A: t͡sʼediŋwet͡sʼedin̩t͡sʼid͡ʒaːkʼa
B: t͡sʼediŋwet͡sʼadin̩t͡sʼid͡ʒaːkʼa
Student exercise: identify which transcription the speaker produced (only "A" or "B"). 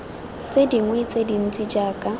A